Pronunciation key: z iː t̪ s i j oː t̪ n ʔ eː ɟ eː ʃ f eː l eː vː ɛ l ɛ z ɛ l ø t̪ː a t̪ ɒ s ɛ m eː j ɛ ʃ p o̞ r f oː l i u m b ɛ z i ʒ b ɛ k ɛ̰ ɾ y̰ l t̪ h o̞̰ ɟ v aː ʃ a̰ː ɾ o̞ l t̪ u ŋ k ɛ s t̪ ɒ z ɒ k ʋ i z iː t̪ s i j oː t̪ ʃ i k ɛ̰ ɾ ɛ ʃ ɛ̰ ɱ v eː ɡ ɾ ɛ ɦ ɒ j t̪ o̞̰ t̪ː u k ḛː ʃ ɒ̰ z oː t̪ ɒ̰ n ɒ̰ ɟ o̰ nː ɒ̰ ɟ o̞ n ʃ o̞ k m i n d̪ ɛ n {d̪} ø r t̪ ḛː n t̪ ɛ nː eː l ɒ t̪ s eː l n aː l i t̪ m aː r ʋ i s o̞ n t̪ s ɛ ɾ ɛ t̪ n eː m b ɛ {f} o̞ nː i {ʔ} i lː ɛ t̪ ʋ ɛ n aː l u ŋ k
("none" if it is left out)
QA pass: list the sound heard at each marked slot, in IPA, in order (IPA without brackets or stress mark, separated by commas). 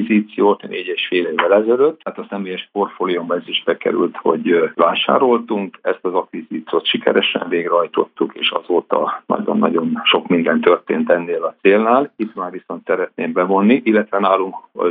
t̪, v, ʔ